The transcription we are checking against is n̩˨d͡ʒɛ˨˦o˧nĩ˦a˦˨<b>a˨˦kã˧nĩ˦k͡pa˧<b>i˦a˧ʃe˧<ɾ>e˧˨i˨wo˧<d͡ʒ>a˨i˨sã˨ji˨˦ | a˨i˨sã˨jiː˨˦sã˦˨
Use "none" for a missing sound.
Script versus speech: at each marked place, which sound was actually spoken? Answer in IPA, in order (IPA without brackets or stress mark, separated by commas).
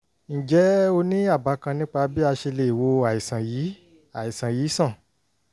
b, b, l, none